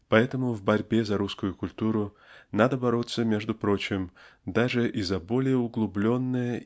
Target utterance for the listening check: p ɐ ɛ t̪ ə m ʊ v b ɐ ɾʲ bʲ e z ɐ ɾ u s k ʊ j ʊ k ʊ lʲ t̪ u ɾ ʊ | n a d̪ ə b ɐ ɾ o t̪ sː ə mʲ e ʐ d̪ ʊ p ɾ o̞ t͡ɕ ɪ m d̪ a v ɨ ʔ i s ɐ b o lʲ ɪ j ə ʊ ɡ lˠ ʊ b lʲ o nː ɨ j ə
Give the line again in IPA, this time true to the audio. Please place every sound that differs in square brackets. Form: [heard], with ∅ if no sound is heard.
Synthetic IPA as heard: p ɐ ɛ t̪ ə m ʊ v b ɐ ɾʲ bʲ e z ɐ ɾ u s k ʊ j ʊ k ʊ lʲ t̪ u ɾ ʊ | n a d̪ ə b ɐ ɾ o t̪ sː ə mʲ e ʐ d̪ ʊ p ɾ o̞ t͡ɕ ɪ m d̪ a [ʐ] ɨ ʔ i [z] ɐ b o lʲ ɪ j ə ʊ ɡ lˠ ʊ b lʲ o nː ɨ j ə